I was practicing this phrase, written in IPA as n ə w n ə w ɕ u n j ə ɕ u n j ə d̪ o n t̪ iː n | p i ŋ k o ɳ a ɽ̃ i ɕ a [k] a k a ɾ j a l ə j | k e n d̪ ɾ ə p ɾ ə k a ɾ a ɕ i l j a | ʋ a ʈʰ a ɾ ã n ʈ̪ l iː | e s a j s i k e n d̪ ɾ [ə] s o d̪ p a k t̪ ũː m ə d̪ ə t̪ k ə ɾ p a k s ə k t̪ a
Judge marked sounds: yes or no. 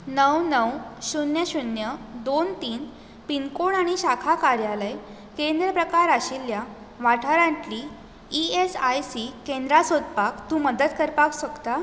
no, no

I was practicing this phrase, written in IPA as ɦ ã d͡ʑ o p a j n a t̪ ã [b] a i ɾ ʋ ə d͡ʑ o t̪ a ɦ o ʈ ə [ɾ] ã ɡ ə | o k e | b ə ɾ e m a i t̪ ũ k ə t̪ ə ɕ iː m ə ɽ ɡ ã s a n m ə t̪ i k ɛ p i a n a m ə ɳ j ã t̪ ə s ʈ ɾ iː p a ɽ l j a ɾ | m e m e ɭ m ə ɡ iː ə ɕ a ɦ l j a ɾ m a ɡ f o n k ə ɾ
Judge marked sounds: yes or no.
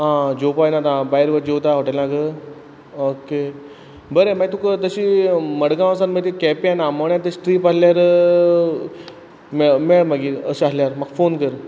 yes, no

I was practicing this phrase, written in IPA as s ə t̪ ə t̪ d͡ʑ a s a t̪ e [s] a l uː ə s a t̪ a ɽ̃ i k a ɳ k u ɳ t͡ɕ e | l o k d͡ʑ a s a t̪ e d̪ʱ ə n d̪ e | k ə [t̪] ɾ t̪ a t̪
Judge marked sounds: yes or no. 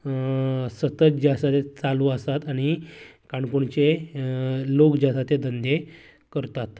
no, no

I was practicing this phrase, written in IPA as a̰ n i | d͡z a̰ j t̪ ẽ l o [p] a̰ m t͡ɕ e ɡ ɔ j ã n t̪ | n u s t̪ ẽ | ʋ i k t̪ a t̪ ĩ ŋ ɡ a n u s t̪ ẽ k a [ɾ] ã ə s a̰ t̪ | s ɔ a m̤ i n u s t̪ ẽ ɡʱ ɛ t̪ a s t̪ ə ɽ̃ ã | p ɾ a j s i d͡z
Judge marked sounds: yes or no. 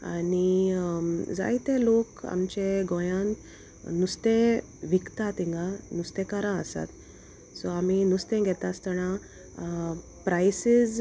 no, yes

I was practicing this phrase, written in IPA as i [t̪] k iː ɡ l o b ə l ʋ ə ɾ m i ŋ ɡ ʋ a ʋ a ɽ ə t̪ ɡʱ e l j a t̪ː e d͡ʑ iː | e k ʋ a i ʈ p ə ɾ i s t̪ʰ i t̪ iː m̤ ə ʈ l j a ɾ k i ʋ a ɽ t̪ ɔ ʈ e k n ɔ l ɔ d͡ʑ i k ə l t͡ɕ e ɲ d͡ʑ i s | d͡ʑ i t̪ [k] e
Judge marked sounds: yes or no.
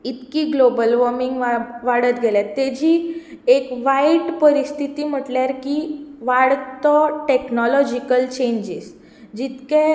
yes, yes

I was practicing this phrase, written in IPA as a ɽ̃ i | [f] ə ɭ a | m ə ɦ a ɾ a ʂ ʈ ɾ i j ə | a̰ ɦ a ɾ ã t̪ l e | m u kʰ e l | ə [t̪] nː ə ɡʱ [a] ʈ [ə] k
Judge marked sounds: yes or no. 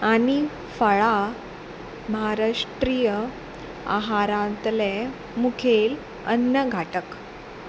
yes, no, yes, yes

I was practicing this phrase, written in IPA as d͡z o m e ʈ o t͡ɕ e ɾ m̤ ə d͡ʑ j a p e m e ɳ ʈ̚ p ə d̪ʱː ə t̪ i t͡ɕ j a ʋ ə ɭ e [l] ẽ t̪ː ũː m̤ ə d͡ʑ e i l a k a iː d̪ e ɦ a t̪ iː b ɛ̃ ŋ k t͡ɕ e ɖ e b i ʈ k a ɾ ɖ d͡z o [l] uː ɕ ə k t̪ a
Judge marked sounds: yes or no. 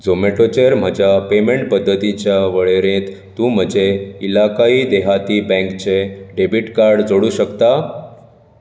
no, no

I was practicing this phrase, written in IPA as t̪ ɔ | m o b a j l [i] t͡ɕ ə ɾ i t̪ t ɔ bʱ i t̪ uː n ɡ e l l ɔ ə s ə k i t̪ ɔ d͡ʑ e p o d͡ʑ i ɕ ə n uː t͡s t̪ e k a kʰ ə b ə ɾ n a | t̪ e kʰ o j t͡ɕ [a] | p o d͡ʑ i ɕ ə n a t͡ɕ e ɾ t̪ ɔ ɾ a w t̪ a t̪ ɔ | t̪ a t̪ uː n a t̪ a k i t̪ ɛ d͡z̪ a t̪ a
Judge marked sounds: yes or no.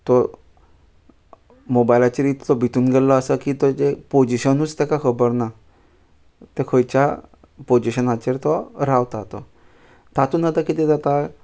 no, yes

